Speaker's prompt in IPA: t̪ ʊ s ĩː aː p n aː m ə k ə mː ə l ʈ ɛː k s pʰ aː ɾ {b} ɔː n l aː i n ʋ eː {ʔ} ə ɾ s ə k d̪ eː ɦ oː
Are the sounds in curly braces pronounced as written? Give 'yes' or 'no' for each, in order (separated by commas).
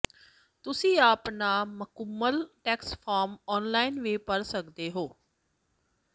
no, no